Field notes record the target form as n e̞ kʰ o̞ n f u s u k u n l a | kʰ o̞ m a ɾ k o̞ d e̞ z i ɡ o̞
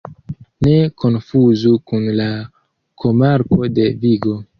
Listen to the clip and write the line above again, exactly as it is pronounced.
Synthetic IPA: n e̞ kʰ o̞ n f u z u k u n l a | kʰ o̞ m a ɾ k o̞ d e̞ v i ɡ o̞